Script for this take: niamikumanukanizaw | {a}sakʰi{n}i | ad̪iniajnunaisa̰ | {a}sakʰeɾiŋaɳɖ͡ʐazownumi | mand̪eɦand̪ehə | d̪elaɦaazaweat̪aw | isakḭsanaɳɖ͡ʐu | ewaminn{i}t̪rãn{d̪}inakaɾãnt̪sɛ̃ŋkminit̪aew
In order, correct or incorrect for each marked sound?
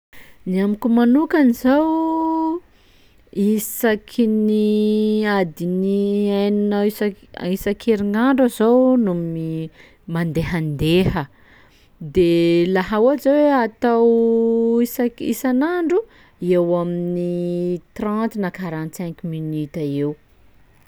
incorrect, correct, incorrect, correct, incorrect

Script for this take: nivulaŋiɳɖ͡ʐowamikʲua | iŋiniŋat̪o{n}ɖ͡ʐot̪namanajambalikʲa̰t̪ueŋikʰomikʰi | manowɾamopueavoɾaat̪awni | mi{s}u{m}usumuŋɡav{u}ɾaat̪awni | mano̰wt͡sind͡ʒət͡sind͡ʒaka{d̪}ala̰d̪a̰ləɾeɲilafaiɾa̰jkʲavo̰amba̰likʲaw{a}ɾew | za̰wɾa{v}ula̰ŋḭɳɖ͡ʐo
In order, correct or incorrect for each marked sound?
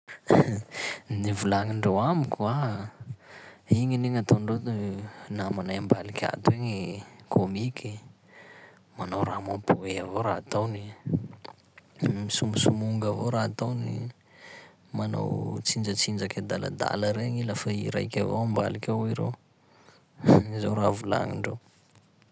incorrect, correct, correct, incorrect, correct, incorrect, correct

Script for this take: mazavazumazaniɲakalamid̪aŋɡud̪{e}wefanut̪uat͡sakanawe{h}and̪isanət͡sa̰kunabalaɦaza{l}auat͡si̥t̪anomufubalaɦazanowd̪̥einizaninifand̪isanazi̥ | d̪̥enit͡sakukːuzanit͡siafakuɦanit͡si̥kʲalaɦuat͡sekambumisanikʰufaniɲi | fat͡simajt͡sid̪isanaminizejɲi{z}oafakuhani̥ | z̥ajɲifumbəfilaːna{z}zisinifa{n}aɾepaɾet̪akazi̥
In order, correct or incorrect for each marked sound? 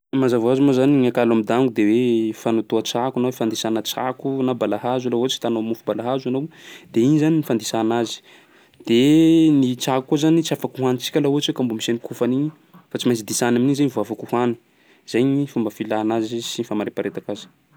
correct, incorrect, correct, incorrect, correct, incorrect

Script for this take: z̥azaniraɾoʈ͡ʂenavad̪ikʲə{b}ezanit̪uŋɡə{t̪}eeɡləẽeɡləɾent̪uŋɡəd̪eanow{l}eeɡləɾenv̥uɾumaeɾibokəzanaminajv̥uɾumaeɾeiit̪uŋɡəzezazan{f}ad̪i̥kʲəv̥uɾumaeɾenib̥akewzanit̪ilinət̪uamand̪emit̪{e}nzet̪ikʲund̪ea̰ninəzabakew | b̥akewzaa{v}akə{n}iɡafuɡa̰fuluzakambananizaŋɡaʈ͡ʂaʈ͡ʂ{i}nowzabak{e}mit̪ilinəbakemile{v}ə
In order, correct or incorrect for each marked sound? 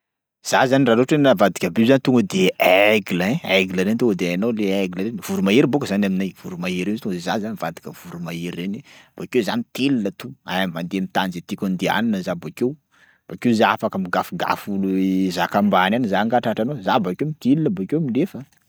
correct, incorrect, correct, incorrect, incorrect, incorrect, incorrect, incorrect, correct, incorrect

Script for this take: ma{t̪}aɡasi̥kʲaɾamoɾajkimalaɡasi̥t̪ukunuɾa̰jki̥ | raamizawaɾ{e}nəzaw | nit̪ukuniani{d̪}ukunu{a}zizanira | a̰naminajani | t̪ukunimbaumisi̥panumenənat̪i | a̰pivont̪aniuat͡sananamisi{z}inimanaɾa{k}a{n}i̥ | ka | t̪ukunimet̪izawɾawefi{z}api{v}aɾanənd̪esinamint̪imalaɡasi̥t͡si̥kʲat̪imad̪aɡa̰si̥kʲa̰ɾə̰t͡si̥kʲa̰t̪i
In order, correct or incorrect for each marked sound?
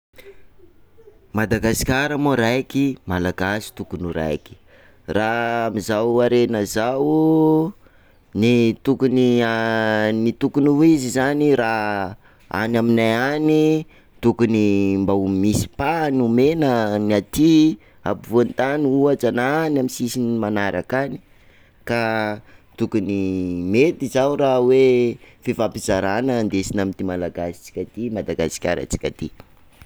incorrect, correct, incorrect, incorrect, incorrect, correct, correct, incorrect, incorrect

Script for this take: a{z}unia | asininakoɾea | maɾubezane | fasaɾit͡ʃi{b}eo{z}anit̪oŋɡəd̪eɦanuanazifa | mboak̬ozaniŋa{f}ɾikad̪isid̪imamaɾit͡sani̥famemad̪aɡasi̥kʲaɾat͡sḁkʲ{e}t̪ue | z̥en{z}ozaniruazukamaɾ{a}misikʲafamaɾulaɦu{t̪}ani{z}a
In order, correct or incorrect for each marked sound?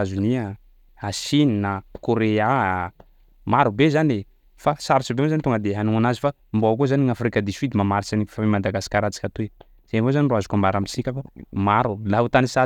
correct, correct, correct, correct, incorrect, incorrect, correct, correct, incorrect

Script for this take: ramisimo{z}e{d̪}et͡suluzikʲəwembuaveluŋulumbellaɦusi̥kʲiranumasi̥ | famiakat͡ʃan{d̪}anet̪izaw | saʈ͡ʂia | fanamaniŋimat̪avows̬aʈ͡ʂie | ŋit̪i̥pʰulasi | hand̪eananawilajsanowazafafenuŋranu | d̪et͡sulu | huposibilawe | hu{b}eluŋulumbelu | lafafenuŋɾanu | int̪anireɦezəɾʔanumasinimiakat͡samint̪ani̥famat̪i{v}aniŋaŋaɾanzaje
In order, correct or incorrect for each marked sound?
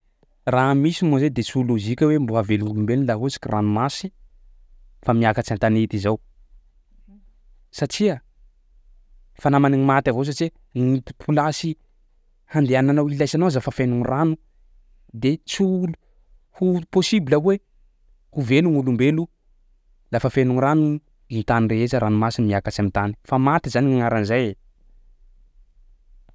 correct, correct, incorrect, incorrect, incorrect

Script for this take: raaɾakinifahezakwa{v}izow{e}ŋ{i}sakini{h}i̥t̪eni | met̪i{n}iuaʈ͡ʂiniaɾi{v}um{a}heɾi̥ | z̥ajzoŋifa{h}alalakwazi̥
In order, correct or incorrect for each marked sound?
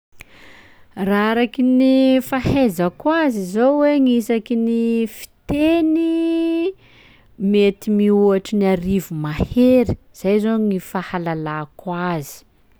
incorrect, correct, correct, incorrect, incorrect, correct, correct, correct

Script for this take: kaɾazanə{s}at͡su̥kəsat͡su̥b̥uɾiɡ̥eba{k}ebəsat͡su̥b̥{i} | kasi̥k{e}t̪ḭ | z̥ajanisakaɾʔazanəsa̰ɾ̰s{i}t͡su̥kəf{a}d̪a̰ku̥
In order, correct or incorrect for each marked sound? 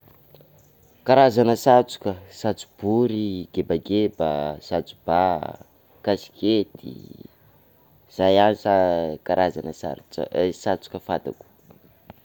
correct, incorrect, incorrect, correct, incorrect, correct

